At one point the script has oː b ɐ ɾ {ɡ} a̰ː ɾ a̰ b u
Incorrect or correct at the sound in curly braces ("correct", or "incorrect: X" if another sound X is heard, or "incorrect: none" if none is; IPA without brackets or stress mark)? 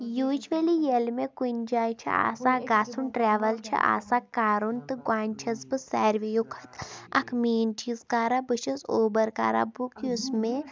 incorrect: k